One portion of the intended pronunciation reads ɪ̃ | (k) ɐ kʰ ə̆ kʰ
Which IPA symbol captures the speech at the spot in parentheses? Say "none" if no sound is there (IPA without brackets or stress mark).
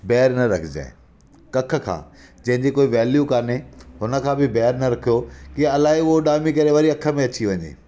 k